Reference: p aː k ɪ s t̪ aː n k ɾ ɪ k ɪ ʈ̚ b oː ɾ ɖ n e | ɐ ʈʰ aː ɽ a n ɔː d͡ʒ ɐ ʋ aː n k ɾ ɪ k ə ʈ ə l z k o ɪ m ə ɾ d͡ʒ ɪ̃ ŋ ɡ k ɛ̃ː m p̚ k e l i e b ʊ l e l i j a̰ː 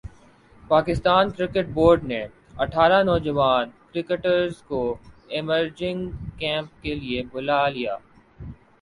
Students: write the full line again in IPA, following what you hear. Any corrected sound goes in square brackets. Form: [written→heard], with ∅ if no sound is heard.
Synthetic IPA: p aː k ɪ s t̪ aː n k ɾ ɪ k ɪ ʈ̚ b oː ɾ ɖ n e | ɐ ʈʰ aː [ɽ→ɾ] a n ɔː d͡ʒ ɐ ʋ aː n k ɾ ɪ k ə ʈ ə [l→ɾ] z k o ɪ m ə ɾ d͡ʒ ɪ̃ ŋ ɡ k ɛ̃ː m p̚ k e l i e b ʊ l [e→a] l i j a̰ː